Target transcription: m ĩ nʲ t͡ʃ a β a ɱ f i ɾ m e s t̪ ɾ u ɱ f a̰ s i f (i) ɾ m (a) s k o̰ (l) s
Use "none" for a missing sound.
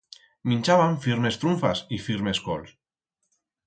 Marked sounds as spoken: i, e, l

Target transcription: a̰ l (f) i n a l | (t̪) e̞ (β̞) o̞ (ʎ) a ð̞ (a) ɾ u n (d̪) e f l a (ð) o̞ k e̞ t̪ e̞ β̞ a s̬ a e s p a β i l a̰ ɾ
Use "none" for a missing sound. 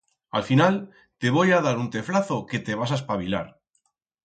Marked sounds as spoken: f, t̪, β̞, j, a, t̪, θ

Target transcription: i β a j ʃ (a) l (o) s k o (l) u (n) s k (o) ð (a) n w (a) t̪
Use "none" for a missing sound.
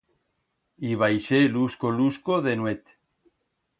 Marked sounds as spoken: e, u, l, none, o, e, e

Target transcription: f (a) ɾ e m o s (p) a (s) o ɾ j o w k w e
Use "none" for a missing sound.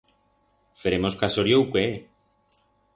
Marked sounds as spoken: e, k, s

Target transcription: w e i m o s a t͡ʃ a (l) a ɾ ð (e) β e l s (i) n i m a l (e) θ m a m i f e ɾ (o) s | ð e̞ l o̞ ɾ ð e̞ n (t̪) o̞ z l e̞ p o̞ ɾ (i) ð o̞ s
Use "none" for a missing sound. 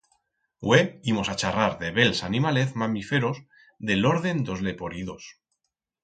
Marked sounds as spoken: r, e, a, e, o, d̪, i

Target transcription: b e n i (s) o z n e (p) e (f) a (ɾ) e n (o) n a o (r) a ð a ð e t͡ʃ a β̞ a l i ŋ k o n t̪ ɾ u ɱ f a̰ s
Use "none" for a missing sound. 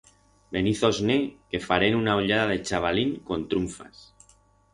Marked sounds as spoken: θ, k, f, ɾ, u, ʎ

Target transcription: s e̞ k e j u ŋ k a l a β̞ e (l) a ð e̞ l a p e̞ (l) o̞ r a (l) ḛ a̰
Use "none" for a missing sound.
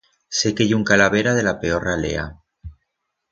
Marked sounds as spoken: ɾ, none, l

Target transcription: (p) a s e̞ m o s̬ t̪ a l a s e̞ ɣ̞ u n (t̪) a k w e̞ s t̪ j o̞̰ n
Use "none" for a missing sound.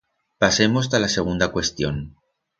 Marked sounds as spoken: p, d̪

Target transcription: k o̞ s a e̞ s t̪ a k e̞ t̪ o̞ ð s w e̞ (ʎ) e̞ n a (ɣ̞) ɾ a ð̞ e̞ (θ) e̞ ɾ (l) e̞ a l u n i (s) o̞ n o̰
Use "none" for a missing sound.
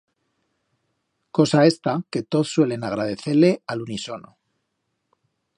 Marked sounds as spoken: l, ɣ̞, θ, l, s

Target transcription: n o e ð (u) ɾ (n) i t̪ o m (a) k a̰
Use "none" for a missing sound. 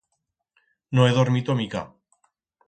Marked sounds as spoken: o, m, i

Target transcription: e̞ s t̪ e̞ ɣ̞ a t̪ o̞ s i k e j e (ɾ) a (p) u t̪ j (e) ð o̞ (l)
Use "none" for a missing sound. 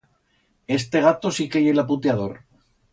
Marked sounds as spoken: l, p, a, ɾ

